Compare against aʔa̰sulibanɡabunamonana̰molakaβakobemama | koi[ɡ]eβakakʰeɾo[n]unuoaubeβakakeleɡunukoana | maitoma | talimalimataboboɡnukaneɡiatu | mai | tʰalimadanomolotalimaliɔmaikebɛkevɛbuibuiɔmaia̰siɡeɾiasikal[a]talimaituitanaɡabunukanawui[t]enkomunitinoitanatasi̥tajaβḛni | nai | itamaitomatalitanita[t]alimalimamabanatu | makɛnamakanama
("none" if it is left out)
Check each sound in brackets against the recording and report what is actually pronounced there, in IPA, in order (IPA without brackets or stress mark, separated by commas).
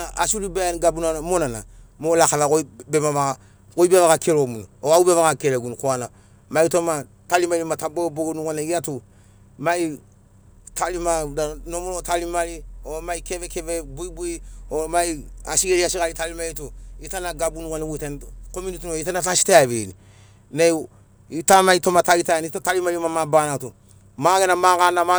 b, m, i, t, t